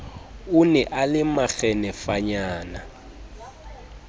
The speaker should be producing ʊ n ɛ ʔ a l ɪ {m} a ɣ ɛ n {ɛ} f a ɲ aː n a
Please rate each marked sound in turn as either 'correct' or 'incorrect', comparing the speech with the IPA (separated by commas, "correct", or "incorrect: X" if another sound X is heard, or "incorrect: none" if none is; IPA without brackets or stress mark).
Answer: correct, correct